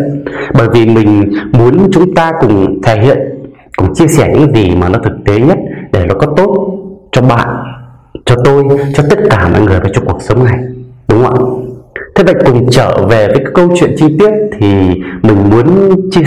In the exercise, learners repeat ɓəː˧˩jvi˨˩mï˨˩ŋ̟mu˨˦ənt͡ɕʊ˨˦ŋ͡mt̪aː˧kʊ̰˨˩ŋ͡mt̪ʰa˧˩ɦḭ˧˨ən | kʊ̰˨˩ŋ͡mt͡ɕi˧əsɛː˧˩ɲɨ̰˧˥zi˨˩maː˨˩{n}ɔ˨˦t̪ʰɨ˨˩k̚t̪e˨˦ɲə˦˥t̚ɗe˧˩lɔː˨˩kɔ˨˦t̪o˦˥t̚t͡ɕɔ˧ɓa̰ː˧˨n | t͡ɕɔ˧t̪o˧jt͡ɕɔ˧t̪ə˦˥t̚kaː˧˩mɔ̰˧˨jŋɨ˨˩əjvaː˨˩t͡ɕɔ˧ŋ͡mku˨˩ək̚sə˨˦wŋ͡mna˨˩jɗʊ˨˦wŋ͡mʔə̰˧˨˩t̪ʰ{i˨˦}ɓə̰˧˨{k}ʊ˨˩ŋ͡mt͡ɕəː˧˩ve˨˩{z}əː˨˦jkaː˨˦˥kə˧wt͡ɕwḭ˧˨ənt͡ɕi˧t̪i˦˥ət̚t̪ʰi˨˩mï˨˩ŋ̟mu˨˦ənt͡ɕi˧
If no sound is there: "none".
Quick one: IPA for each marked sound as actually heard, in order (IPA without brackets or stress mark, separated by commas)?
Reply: n, e˨˦, k, v